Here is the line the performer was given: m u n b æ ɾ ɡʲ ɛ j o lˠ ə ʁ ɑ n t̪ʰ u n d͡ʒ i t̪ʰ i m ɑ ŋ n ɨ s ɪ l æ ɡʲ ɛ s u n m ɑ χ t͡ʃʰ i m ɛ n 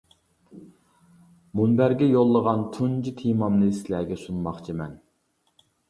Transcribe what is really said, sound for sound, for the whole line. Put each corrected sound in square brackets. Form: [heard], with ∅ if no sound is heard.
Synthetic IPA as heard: m u n b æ ɾ ɡʲ ɛ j o [lˠː] ə ʁ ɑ n t̪ʰ u n d͡ʒ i t̪ʰ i m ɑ [m] n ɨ s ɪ l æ ɡʲ ɛ s u n m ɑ χ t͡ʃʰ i m ɛ n